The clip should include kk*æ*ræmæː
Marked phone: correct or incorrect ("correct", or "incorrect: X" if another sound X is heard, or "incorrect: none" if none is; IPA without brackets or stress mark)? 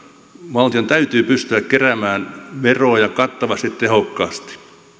incorrect: e